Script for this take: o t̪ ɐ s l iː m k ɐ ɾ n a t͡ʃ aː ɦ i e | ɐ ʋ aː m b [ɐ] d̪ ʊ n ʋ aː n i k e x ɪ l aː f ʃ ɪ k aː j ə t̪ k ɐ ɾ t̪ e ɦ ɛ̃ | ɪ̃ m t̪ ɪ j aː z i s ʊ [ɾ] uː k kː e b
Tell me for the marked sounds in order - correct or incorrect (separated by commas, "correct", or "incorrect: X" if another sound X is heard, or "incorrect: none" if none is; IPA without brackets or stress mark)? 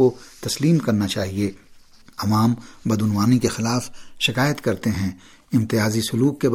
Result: correct, incorrect: l